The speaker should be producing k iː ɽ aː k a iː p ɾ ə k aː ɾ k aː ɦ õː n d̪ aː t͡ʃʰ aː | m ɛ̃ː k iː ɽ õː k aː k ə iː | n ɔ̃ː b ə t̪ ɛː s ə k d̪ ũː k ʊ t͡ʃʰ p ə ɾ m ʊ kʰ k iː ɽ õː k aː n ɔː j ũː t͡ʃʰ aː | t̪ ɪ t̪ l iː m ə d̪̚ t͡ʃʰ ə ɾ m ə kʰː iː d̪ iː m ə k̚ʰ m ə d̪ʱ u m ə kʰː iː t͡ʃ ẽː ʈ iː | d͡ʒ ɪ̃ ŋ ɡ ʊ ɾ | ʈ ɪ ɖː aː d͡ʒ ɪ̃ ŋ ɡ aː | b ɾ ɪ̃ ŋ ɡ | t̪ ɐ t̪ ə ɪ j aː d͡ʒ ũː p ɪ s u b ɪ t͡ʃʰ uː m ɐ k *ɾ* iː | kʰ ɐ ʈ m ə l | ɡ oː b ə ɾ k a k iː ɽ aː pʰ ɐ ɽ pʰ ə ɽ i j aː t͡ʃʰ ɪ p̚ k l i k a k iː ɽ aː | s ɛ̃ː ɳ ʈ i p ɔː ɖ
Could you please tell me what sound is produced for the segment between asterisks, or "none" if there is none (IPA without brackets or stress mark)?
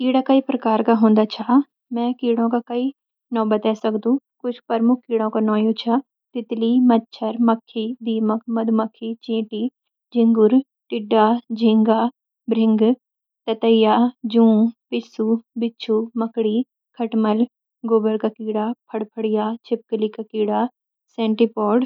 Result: ɽ